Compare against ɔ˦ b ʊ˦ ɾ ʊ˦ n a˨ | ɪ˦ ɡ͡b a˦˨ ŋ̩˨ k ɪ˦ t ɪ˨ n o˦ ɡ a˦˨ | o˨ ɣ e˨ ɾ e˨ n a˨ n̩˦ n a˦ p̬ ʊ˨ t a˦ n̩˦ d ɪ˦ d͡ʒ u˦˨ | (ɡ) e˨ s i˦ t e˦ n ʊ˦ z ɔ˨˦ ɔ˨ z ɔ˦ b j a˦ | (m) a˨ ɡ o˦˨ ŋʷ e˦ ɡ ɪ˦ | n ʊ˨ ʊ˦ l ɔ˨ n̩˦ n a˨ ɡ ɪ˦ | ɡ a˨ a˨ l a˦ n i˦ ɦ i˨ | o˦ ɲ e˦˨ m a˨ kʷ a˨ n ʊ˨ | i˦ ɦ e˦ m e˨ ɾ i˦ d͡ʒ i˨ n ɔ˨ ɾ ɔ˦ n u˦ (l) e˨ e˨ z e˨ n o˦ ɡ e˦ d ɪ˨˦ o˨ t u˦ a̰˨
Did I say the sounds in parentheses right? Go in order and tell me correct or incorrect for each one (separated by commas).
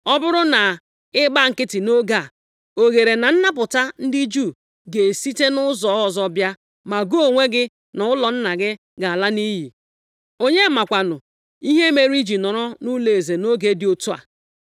correct, correct, correct